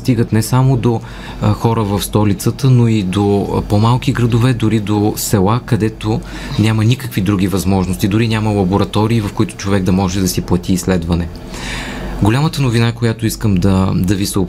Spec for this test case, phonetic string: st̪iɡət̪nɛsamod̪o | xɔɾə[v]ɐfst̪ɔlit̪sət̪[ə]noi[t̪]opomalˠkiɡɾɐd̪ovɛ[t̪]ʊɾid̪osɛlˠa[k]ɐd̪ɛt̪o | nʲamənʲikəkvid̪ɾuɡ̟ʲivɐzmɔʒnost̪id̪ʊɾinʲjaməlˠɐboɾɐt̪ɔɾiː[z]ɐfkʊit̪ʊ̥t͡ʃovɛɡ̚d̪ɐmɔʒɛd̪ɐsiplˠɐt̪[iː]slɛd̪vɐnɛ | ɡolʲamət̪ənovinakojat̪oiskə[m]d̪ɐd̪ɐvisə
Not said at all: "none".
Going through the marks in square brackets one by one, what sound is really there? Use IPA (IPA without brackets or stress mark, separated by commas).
v, ə, d̪, d̪, k, v, iː, m